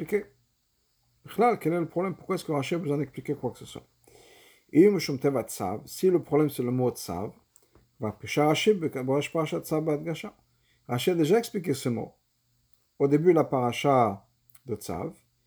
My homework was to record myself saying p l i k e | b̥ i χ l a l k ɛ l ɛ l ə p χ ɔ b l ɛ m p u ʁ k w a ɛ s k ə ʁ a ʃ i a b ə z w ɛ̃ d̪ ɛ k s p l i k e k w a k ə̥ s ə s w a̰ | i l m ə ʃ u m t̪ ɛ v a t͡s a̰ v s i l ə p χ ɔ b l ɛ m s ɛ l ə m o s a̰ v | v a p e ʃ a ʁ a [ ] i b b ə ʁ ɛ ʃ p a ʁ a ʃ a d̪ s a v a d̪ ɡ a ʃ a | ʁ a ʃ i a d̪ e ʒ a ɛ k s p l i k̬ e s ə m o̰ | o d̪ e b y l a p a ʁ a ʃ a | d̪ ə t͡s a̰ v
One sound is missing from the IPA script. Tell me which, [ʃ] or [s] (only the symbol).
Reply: ʃ